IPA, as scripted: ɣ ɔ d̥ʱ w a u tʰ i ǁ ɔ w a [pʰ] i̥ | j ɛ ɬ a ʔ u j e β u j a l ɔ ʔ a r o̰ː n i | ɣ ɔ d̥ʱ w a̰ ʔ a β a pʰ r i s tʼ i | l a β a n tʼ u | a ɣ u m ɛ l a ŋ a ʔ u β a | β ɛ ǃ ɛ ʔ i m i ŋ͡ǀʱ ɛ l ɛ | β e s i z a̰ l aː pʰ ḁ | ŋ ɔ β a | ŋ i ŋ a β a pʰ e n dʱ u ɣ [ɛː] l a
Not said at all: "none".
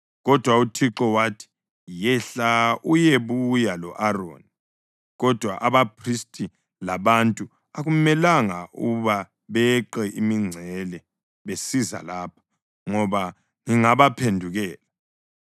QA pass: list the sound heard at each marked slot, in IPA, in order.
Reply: tʰ, ɛː

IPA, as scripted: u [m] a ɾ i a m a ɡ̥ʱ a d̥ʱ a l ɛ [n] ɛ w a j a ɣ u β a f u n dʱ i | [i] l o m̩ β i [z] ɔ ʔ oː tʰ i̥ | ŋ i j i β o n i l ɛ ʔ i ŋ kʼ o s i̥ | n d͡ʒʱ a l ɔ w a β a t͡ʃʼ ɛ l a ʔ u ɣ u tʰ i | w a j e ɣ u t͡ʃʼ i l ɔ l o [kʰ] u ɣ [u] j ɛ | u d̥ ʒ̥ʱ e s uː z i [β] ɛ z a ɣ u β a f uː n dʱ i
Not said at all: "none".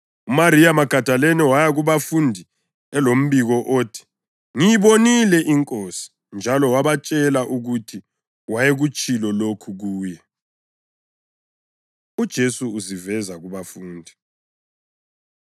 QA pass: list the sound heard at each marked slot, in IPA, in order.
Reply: m, n, ɛ, ɣ, kʰ, uː, v

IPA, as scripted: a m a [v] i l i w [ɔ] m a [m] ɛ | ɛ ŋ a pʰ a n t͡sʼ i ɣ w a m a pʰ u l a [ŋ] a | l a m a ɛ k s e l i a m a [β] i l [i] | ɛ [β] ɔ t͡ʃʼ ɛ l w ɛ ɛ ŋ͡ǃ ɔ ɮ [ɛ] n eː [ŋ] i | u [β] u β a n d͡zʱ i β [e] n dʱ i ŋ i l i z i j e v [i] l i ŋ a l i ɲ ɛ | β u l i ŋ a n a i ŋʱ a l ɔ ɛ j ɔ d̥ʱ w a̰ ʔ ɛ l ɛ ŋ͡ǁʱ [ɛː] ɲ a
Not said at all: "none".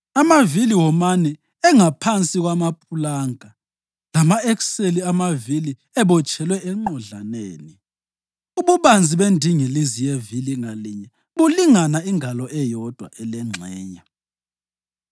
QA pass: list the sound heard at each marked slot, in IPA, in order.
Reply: v, ɔ, n, ŋ, v, i, β, a, n, β, e, i, ɛː

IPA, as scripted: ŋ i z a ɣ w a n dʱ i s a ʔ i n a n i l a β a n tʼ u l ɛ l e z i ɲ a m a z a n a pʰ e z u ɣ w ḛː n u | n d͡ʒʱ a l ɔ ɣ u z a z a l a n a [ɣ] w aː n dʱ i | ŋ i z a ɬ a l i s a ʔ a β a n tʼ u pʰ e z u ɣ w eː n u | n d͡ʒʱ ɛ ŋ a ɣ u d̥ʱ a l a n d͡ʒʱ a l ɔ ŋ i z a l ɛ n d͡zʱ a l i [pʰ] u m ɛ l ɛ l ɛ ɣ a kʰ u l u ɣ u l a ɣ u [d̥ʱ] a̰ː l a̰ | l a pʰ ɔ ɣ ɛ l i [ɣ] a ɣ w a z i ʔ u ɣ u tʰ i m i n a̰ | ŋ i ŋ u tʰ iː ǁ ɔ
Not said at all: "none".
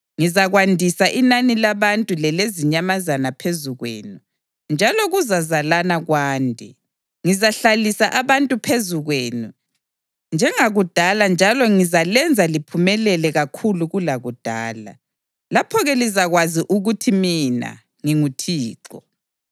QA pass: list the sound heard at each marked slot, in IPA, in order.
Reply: ɣ, pʰ, d̥ʱ, z

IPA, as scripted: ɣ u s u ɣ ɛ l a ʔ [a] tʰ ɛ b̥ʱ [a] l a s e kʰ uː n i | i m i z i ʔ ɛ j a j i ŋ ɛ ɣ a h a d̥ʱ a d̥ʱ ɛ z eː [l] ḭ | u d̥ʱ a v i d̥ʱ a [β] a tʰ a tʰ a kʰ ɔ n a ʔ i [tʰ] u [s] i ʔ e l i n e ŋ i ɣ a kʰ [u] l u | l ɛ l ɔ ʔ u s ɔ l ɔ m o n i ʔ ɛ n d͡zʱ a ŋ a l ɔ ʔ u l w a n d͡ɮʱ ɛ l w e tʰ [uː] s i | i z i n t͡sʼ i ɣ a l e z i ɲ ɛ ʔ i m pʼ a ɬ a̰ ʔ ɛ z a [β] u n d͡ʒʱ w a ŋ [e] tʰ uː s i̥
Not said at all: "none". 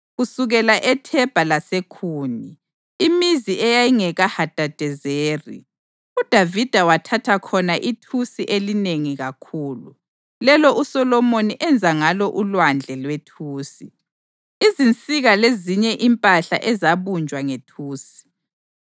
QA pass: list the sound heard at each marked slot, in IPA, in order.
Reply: ɛ, a, r, w, tʰ, s, uː, uː, β, e

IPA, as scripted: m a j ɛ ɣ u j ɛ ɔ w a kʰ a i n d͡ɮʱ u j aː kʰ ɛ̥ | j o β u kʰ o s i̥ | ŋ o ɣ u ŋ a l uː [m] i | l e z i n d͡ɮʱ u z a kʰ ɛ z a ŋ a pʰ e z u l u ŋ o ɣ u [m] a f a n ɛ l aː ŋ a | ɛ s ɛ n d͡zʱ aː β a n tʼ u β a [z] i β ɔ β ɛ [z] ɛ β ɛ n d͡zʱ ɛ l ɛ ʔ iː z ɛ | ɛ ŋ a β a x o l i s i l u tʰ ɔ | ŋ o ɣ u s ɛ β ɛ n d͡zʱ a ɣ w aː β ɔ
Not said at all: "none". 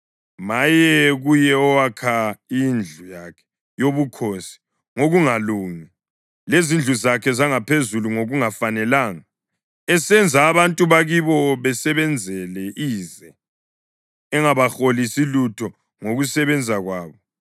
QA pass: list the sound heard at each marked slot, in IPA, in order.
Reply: ŋ, ŋ, ɣ, s

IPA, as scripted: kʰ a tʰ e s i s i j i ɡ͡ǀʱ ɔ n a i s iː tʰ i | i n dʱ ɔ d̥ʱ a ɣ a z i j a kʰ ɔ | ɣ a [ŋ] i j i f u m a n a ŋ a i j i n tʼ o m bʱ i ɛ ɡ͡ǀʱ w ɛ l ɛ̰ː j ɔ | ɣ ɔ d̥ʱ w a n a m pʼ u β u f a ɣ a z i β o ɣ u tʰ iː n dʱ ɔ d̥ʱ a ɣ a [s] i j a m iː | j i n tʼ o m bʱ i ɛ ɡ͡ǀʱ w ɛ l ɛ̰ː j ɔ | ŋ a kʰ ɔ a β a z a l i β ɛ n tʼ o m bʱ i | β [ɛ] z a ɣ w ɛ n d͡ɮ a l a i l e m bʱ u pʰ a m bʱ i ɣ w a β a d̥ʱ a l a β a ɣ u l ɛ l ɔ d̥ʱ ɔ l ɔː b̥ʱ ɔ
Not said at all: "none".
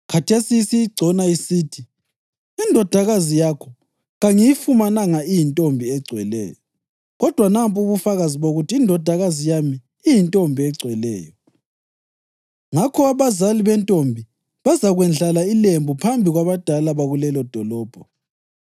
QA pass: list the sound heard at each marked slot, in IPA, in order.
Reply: ŋ, z, a

